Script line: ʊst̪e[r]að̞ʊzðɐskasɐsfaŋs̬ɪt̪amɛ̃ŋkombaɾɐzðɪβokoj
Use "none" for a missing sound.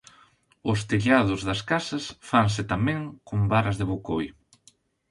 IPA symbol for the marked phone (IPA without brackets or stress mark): ʎ